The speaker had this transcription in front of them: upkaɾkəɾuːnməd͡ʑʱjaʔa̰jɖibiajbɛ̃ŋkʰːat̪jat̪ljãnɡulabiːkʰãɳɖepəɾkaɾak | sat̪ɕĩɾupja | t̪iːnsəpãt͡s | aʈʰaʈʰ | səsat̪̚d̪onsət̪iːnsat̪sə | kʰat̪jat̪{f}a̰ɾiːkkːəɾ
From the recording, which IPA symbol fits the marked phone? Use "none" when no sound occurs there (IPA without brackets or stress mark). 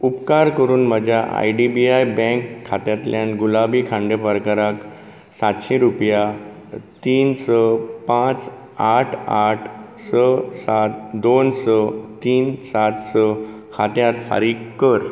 f